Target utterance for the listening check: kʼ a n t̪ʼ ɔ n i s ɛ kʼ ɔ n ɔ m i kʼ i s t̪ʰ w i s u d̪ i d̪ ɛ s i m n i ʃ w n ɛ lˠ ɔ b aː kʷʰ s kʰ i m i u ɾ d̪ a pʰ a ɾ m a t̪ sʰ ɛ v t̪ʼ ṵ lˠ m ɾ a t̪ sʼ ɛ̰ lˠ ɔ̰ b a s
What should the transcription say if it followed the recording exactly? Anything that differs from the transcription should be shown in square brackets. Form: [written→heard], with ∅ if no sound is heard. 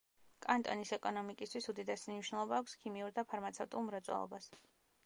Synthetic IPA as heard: kʼ a n t̪ʼ ɔ n i s ɛ kʼ ɔ n ɔ m i kʼ i s t̪ʰ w i s u d̪ i d̪ ɛ s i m n i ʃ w n ɛ lˠ ɔ b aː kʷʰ s kʰ i m i u ɾ d̪ a pʰ a ɾ m a t̪ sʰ ɛ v t̪ʼ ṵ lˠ m ɾ a t̪ sʼ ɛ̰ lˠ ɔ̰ b a s